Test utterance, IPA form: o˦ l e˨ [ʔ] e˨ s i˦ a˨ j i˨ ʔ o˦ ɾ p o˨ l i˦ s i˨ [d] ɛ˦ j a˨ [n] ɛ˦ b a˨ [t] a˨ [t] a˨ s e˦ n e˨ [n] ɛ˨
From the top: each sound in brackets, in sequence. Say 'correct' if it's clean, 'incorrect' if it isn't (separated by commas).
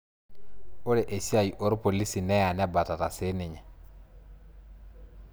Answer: correct, incorrect, correct, correct, correct, incorrect